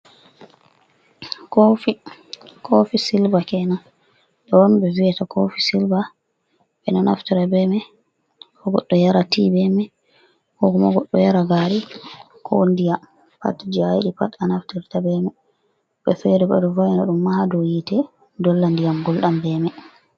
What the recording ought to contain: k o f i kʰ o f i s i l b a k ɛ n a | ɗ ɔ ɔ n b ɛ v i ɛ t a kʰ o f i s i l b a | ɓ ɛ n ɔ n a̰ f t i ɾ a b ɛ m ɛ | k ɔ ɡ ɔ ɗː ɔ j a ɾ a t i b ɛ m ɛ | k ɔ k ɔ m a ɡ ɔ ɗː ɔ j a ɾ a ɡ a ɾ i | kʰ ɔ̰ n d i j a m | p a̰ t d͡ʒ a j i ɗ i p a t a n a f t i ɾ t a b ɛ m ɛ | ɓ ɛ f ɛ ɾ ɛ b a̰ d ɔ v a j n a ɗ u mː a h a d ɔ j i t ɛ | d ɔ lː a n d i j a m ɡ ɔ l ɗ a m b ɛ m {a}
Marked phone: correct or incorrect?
incorrect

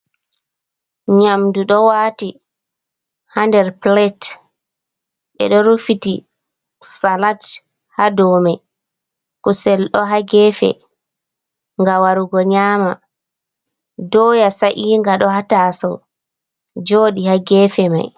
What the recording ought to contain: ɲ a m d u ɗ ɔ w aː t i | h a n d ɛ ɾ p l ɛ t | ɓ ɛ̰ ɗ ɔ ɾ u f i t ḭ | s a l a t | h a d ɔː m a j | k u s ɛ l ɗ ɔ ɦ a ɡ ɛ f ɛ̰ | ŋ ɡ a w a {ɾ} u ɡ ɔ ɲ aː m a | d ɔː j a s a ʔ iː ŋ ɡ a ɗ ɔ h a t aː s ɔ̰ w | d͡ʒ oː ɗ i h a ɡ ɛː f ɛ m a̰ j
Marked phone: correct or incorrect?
correct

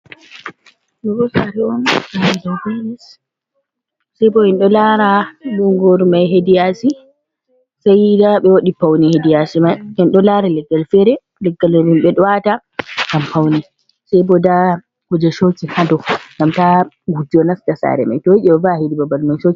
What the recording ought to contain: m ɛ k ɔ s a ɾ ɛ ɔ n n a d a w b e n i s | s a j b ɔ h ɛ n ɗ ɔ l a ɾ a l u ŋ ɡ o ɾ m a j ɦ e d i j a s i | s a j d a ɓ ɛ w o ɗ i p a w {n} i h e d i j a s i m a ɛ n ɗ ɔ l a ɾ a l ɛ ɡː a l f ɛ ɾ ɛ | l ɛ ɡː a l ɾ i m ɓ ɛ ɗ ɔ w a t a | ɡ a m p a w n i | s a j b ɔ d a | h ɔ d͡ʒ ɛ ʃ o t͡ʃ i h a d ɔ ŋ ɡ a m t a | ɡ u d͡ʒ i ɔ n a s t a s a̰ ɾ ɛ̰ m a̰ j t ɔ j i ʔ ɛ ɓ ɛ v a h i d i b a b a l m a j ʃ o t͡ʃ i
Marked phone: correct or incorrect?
correct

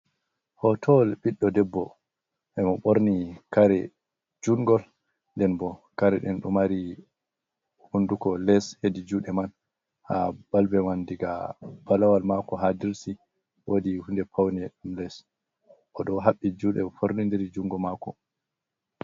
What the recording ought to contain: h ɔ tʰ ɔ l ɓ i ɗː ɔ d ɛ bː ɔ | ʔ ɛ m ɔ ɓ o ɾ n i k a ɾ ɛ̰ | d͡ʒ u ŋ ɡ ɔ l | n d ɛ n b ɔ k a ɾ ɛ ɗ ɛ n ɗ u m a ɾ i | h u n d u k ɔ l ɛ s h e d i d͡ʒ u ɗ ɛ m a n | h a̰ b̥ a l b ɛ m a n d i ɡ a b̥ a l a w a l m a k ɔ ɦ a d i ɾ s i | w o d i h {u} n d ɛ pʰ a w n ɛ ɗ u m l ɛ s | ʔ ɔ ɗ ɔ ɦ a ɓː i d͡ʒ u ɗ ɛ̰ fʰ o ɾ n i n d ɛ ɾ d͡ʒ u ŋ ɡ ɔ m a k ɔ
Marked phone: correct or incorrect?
correct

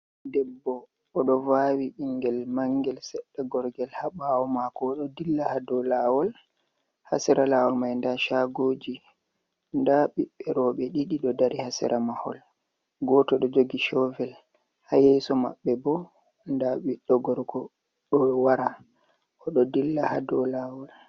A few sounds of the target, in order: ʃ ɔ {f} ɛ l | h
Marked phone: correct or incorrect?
incorrect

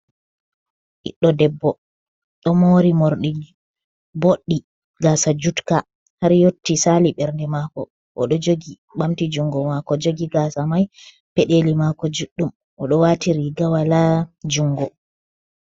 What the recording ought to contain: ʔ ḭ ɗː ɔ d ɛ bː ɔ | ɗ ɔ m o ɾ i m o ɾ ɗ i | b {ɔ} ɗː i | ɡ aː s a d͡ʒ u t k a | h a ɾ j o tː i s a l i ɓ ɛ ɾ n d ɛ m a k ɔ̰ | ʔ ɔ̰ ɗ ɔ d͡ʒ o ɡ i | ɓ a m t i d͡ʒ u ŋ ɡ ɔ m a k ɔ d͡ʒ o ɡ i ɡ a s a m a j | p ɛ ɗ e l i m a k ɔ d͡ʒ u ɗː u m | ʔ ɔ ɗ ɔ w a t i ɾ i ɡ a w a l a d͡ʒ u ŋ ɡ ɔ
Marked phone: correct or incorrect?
incorrect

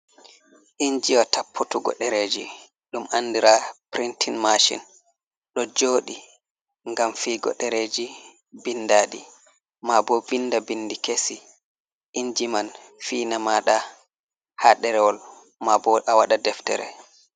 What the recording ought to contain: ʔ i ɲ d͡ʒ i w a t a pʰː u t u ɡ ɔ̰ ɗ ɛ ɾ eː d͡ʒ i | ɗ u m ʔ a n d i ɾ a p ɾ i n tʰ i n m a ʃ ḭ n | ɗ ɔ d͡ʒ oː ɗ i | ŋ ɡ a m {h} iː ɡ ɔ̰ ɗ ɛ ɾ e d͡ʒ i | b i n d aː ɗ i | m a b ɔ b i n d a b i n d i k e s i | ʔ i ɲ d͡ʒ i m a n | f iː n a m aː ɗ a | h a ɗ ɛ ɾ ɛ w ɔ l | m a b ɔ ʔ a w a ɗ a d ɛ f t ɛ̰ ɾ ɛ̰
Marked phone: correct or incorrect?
incorrect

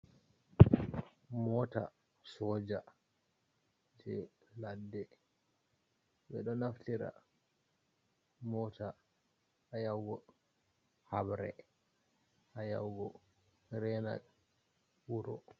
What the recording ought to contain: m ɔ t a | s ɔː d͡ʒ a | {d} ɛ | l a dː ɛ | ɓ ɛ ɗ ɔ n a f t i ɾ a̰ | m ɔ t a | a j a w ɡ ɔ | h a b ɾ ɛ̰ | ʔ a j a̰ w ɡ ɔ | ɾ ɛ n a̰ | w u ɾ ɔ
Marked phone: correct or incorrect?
incorrect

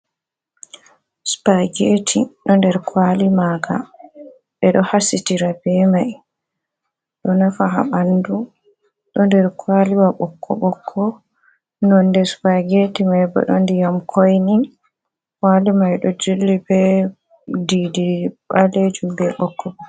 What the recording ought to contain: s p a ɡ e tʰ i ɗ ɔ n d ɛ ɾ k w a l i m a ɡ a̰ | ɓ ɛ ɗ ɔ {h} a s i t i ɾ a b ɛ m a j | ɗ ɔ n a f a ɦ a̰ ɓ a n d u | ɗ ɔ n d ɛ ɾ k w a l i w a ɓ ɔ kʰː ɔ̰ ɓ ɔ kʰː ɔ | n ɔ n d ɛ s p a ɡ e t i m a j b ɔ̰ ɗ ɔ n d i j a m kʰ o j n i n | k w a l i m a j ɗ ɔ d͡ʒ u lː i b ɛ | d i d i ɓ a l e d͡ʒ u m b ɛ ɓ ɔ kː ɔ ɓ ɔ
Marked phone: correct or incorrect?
correct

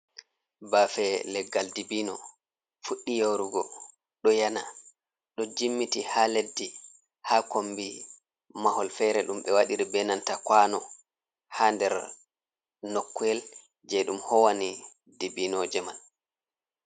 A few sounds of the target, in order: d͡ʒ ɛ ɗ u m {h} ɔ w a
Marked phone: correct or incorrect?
correct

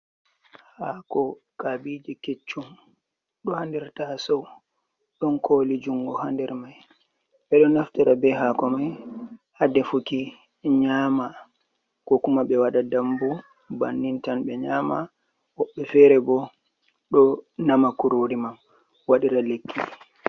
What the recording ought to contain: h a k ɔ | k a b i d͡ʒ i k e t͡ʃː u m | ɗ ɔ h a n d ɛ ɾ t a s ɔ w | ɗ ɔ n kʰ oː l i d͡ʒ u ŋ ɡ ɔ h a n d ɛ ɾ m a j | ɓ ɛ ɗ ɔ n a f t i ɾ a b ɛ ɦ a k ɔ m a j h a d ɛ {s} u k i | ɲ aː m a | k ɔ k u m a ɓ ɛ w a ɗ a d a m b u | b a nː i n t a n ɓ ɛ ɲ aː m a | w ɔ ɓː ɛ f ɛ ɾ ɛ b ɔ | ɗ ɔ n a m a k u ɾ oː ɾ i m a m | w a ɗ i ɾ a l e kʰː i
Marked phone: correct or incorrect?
incorrect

